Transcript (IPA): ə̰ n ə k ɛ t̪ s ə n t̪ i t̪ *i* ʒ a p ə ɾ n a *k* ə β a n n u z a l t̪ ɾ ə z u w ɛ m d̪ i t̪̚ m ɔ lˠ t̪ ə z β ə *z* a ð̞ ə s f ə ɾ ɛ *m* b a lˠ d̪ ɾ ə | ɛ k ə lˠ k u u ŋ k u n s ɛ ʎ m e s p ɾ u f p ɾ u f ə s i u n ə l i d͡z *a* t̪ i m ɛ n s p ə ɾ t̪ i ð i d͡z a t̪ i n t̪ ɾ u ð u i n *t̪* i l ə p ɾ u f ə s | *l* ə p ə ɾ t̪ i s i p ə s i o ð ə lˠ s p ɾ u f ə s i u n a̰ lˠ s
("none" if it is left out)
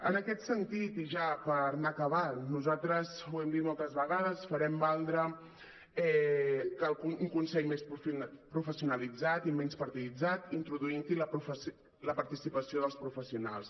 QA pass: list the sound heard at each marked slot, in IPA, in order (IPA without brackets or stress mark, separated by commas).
i, k, ɣ, m, a, t̪, l